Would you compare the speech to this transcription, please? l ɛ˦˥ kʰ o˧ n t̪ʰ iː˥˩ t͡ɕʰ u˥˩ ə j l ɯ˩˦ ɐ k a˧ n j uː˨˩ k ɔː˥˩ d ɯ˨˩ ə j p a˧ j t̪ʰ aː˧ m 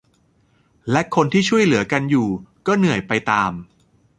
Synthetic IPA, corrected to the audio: l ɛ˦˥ kʰ o˧ n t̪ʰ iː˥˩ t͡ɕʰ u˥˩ ə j l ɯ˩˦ ɐ k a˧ n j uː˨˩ k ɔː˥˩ n ɯ˨˩ ə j p a˧ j t̪ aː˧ m